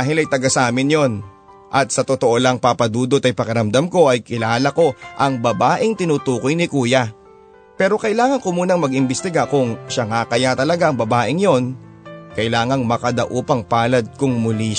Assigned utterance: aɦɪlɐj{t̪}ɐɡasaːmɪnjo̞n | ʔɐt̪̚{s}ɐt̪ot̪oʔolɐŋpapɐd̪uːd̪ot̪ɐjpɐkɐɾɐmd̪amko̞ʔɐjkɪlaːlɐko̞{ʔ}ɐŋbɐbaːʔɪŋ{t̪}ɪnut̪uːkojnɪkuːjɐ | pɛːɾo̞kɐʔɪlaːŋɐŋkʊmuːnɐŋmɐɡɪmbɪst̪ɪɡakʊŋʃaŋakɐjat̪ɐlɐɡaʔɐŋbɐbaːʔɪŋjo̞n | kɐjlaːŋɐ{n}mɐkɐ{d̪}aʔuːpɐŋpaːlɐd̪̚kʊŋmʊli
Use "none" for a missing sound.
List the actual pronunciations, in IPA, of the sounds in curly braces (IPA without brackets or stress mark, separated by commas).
t̪, s, ʔ, t̪, ŋ, d̪